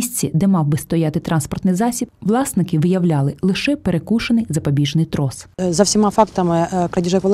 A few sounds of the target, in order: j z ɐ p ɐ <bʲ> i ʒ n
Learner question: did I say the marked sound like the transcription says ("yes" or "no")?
yes